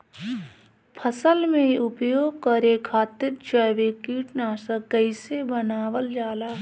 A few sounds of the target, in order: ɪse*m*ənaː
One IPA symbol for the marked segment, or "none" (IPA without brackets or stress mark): b